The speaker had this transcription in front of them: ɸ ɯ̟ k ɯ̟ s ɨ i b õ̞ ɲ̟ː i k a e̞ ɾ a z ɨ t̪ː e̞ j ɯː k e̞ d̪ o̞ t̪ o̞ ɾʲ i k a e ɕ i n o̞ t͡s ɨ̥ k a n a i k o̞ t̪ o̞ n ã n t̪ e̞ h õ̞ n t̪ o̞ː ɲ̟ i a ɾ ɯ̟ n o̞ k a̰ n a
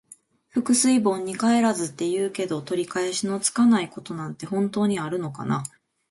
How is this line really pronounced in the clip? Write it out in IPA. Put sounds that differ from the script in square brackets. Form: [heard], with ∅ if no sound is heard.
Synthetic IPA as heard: ɸ ɯ̟ k ɯ̟ s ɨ i b õ̞ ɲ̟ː i k a e̞ ɾ a z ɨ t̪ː e̞ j ɯː k e̞ d̪ o̞ t̪ o̞ ɾʲ i k a e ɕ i n o̞ t͡s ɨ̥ k a n a i k o̞ t̪ o̞ n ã n t̪ e̞ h õ̞ n t̪ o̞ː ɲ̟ i a ɾ ɯ̟ n o̞ k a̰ n a